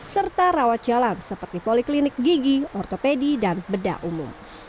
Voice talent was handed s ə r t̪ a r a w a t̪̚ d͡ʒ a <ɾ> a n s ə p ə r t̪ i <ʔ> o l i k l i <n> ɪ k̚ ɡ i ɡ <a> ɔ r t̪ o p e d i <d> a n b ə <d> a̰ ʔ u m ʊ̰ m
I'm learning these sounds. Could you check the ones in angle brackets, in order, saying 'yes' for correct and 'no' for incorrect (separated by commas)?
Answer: no, no, yes, no, yes, yes